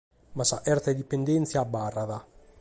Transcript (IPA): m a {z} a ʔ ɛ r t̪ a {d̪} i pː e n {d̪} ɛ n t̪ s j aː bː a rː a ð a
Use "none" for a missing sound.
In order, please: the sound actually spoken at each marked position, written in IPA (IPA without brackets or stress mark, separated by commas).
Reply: s, d̪, d̪